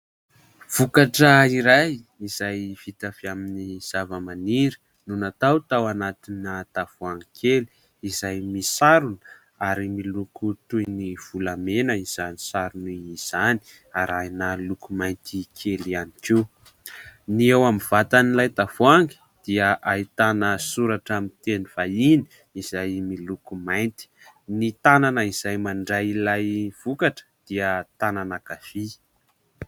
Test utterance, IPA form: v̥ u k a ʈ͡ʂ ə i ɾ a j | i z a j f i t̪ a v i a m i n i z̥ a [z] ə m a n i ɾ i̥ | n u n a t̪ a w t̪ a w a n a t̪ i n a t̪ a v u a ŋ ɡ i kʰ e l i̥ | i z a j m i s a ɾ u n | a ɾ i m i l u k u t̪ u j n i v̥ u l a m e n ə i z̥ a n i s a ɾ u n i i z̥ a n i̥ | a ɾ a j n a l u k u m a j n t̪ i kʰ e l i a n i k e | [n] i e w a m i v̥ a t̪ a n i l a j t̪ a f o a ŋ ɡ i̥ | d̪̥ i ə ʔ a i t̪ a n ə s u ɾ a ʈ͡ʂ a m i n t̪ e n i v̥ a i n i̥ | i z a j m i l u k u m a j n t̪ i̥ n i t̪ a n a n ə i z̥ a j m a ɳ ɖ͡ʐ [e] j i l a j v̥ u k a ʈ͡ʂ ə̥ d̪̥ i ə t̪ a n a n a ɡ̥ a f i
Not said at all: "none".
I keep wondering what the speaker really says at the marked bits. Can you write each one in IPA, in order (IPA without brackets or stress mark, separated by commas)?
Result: v, n, a